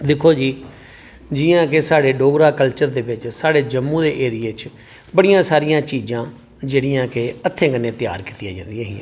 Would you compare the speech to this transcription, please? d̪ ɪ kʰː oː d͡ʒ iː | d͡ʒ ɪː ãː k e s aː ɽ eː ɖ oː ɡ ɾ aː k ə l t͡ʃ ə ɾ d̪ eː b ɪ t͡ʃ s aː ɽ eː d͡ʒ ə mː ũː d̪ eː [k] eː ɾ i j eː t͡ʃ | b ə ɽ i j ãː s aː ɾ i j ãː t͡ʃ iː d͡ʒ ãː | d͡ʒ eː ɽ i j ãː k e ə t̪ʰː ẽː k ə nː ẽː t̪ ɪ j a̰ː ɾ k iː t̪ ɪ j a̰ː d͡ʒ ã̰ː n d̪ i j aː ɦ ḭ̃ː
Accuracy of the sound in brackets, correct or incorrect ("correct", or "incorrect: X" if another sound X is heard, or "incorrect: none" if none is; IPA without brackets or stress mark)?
incorrect: ʔ